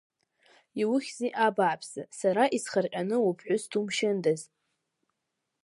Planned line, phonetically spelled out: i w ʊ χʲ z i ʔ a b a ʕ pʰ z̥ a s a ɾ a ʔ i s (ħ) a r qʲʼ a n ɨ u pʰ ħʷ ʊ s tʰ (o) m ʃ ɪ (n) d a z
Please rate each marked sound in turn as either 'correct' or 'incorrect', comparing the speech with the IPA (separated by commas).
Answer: incorrect, incorrect, correct